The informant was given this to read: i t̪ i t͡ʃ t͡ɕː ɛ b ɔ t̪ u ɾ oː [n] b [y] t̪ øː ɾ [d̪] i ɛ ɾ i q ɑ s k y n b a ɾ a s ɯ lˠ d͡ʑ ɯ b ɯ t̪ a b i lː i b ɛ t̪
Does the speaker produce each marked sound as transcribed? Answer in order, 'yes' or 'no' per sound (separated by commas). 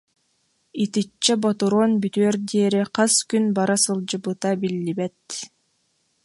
yes, yes, yes